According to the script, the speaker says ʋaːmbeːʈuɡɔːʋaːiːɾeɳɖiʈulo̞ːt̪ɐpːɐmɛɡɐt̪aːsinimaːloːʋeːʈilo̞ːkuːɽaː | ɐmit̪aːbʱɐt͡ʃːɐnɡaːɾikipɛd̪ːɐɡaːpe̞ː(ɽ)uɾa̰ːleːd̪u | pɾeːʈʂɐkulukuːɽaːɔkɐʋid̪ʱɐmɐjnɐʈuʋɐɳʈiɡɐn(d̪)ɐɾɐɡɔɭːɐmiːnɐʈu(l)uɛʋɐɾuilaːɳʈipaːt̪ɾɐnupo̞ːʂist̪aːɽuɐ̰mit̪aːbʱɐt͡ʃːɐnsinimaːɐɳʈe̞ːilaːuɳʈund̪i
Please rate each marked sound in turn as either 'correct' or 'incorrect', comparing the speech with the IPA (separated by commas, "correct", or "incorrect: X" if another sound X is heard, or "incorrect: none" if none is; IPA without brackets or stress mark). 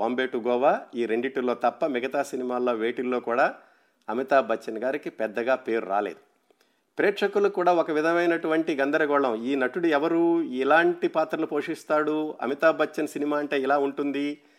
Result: incorrect: ɾ, correct, incorrect: ɽ